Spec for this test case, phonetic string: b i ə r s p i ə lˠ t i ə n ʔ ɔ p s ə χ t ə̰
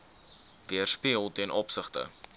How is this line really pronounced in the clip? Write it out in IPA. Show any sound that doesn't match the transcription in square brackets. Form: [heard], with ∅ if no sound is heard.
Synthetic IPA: [v] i ə r s p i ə lˠ t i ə n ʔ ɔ p s ə χ t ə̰